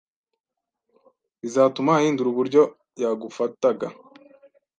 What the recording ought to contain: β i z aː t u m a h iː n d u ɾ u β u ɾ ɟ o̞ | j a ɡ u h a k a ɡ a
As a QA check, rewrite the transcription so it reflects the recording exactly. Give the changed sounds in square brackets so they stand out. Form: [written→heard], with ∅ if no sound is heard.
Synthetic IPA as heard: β i z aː t u m a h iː n d u ɾ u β u ɾ ɟ o̞ | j a ɡ u [h→f] a [k→t] a ɡ a